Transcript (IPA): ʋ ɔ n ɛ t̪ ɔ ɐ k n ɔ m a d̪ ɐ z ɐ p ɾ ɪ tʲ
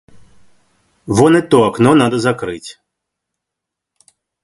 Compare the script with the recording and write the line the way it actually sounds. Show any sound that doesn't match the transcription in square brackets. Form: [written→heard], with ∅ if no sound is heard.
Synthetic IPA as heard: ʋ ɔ n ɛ t̪ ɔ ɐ k n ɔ [m→n] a d̪ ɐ z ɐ [p→k] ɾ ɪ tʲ